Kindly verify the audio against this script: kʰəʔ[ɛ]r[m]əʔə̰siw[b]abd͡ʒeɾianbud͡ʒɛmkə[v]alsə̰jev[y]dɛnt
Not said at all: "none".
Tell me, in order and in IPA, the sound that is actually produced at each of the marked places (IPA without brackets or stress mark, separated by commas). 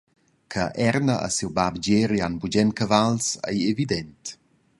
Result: ɛ, n, b, v, i